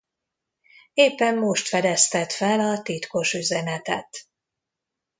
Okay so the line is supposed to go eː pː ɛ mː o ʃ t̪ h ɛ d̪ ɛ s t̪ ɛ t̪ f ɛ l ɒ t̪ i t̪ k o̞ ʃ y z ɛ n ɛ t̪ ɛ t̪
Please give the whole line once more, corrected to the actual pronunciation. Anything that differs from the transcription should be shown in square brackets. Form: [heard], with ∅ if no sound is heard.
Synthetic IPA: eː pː ɛ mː o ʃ t̪ [f] ɛ d̪ ɛ s t̪ ɛ t̪ f ɛ l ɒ t̪ i t̪ k o̞ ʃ y z ɛ n ɛ t̪ ɛ t̪